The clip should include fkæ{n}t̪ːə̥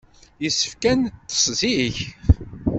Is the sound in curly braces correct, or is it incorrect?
correct